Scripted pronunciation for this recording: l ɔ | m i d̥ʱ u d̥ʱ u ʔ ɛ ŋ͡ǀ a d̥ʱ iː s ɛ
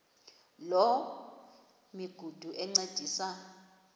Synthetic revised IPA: l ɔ | m i ɡ̥ʱ u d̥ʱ u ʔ ɛ ŋ͡ǀ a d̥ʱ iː s a